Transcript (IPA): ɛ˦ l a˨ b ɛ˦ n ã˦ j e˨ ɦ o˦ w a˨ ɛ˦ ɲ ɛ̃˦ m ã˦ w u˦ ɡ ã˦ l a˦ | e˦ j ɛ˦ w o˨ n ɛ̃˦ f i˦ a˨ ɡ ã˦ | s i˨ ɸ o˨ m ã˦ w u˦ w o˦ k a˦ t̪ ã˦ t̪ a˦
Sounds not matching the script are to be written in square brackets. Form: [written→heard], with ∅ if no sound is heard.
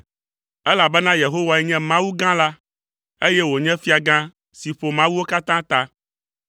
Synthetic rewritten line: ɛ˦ l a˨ b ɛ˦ n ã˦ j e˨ ɦ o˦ w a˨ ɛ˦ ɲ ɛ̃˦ m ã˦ w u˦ ɡ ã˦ l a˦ | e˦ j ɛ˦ w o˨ [n→ɲ] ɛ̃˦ f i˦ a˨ ɡ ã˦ | s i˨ ɸ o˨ m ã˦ w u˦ w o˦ k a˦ t̪ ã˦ t̪ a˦